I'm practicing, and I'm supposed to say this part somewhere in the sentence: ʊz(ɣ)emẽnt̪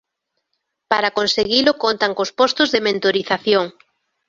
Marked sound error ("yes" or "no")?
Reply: yes